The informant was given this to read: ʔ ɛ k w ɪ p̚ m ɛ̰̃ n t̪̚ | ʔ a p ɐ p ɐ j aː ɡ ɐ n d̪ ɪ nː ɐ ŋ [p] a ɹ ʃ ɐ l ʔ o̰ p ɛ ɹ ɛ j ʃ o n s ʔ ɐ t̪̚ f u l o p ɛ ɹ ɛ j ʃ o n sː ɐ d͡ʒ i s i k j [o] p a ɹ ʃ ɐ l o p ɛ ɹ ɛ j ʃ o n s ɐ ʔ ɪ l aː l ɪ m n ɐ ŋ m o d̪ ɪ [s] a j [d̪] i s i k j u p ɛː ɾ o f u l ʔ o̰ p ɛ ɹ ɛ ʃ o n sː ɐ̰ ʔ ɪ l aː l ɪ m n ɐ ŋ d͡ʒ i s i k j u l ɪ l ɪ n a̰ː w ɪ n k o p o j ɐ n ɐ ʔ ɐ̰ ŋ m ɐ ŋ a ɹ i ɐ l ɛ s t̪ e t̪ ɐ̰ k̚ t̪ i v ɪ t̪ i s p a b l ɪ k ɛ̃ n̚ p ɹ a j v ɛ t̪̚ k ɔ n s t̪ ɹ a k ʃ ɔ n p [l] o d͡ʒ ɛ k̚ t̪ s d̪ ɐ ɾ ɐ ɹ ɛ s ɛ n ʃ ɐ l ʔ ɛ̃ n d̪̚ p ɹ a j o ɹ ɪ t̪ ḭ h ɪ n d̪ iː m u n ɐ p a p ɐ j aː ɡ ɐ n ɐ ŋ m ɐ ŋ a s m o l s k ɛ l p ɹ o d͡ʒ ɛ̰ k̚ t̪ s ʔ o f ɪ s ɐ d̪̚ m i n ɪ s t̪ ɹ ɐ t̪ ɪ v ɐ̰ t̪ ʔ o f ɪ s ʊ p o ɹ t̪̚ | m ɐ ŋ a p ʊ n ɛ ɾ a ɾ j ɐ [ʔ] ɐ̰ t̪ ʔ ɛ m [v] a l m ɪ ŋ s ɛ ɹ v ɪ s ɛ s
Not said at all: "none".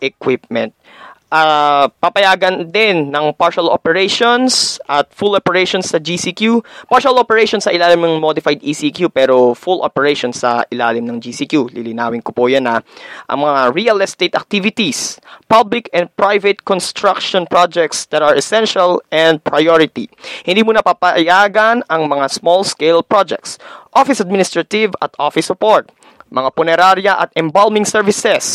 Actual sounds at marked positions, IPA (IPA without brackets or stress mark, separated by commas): p, u, f, d̪, ɹ, ʔ, b